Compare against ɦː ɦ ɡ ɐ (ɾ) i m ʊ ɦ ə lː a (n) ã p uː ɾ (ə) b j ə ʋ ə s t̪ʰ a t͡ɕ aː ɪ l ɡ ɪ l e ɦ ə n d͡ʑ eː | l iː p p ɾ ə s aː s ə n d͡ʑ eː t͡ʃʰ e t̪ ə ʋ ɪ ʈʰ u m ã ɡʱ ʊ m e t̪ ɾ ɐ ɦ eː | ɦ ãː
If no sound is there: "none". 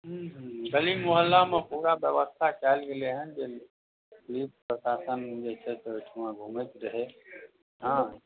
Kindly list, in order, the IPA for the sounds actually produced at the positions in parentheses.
l, m, a

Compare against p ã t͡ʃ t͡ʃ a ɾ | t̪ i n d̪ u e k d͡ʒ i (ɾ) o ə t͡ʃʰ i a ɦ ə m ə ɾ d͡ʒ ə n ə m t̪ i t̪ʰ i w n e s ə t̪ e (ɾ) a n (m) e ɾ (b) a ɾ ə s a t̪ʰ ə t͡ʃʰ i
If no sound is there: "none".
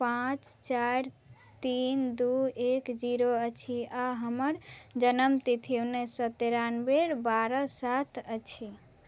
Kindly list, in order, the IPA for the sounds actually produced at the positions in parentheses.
ɾ, ɾ, b, b

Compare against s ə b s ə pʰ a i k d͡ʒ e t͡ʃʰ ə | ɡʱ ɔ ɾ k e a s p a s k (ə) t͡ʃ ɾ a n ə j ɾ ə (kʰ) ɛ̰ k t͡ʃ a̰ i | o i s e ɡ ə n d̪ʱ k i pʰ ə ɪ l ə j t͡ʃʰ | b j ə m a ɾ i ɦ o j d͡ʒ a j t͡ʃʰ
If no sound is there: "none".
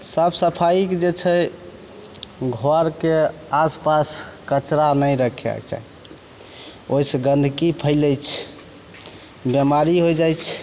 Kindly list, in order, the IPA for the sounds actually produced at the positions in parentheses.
ə, kʰ

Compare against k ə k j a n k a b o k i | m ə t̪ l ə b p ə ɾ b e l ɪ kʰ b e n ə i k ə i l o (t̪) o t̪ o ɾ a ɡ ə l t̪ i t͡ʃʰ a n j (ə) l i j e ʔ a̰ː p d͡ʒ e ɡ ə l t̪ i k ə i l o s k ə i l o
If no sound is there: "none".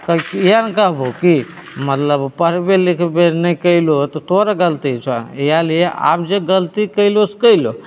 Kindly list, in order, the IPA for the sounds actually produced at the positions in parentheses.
t̪, a

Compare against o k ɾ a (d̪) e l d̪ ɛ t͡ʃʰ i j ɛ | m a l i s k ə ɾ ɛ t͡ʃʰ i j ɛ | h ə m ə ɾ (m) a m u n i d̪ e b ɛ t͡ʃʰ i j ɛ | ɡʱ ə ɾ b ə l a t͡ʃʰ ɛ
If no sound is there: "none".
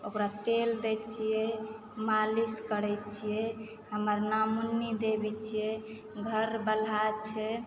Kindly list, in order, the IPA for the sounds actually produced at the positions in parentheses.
t̪, n

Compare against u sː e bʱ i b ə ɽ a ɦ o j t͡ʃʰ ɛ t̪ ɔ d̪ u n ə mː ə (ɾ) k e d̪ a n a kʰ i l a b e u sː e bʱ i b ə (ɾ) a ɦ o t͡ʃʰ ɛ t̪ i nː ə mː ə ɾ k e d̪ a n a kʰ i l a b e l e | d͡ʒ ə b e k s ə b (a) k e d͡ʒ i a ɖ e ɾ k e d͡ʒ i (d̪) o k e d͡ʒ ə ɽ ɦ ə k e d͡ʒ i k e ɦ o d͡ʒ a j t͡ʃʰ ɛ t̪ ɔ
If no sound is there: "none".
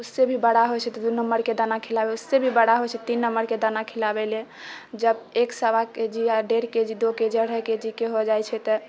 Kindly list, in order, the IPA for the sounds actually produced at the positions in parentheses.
ɾ, ɽ, a, d̪

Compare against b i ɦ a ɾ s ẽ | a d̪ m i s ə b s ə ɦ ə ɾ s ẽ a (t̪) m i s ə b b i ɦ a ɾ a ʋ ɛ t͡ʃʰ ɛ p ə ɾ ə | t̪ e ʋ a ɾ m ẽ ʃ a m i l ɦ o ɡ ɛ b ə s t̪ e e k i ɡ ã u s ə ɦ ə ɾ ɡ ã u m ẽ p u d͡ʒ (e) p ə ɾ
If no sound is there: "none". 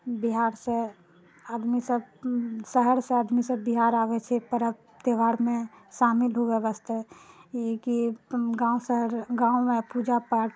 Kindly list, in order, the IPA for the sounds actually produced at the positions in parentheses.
d̪, a

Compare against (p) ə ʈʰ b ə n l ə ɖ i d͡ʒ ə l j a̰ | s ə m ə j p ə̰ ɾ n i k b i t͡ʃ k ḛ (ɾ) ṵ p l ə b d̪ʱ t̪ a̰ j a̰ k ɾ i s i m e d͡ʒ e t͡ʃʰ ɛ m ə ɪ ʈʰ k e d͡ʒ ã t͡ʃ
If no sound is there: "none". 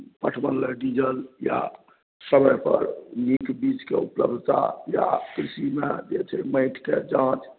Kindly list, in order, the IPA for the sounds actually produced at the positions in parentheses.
p, none

